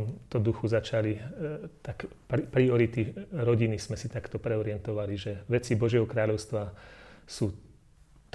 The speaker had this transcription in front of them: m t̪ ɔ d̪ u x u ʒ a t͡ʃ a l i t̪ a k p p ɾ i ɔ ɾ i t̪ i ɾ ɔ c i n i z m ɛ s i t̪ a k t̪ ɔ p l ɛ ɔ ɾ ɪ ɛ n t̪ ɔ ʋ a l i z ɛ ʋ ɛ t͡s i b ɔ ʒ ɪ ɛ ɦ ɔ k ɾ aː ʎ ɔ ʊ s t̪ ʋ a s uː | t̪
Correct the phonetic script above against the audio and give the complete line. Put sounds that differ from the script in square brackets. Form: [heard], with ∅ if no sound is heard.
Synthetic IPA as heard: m t̪ ɔ d̪ u x u [z] a t͡ʃ a l i t̪ a k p p ɾ i ɔ ɾ i t̪ i ɾ ɔ [ɟ] i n i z m ɛ s i t̪ a k t̪ ɔ p [ɾ] ɛ ɔ ɾ ɪ ɛ n t̪ ɔ ʋ a l i [ʒ] ɛ ʋ ɛ t͡s i b ɔ ʒ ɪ ɛ ɦ ɔ k ɾ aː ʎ ɔ ʊ s t̪ ʋ a s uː | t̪